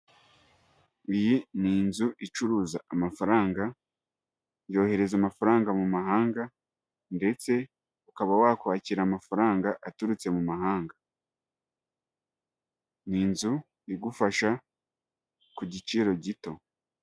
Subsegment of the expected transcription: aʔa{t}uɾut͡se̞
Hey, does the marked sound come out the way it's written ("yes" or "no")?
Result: yes